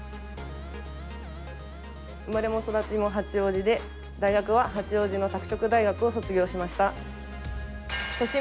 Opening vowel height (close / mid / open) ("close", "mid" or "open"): close